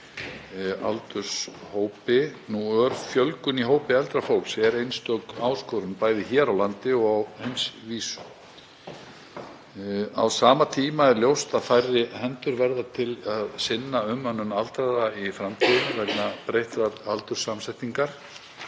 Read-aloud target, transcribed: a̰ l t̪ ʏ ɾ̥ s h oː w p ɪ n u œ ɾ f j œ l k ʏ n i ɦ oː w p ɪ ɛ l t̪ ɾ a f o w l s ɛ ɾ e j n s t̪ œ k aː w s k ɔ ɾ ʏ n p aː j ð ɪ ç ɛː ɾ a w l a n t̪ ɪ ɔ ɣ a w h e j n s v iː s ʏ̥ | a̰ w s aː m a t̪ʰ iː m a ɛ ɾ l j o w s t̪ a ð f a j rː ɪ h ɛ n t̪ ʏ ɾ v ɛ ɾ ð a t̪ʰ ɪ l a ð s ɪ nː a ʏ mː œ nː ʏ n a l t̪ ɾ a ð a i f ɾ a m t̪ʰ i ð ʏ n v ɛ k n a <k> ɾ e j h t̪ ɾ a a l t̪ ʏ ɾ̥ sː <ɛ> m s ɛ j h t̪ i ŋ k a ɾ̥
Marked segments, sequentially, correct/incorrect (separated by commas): incorrect, incorrect